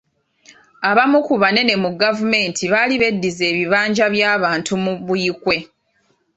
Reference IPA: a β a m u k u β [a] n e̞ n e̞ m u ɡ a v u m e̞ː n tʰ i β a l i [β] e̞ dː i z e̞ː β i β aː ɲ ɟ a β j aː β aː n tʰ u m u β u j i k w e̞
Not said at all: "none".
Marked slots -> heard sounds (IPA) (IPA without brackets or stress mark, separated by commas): a, β